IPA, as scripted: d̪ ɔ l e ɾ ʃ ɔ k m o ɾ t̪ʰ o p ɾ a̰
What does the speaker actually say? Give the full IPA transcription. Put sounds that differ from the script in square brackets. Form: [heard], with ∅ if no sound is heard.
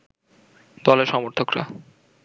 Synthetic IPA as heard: d̪ ɔ l e ɾ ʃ ɔ [∅] m o ɾ t̪ʰ o [k] ɾ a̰